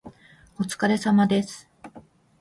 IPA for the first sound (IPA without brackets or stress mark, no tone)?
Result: o